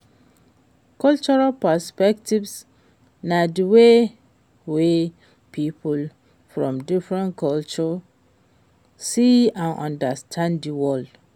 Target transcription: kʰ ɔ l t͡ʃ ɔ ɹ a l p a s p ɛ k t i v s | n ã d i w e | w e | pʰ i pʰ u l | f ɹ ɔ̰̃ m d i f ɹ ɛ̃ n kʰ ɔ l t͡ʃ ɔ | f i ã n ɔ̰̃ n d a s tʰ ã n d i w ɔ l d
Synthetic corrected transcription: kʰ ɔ l t͡ʃ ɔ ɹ a l p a s p ɛ k t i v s | n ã d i w e | w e | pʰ i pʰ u l | f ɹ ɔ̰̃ m d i f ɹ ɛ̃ n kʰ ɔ l t͡ʃ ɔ | s i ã n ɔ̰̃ n d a s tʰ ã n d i w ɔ l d